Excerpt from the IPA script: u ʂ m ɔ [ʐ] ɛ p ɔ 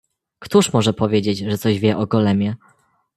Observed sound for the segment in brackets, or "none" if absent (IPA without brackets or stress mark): ʐ